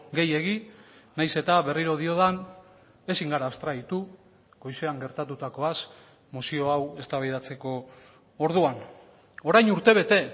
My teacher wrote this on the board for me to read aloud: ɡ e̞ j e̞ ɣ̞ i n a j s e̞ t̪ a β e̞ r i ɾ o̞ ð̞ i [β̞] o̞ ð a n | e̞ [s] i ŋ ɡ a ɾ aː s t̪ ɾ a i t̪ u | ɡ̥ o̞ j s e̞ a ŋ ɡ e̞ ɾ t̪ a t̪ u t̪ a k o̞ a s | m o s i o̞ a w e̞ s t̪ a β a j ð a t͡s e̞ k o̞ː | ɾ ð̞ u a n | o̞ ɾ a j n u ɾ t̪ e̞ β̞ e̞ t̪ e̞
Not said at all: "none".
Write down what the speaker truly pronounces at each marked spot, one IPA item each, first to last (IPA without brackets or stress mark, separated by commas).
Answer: none, s